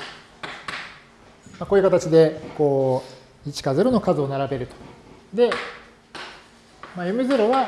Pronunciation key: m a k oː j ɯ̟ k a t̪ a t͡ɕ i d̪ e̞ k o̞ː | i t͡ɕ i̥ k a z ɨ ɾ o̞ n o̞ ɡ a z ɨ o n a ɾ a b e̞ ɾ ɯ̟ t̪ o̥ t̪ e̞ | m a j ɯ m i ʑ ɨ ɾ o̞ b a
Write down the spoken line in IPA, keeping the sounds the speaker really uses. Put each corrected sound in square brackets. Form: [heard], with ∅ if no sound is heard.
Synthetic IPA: m a k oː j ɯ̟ k a t̪ a t͡ɕ i d̪ e̞ k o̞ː | i t͡ɕ i̥ k a z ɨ ɾ o̞ n o̞ [k] a z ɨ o n a ɾ a b e̞ ɾ ɯ̟ t̪ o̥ [d̪] e̞ | m a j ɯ m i [z] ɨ ɾ o̞ [β] a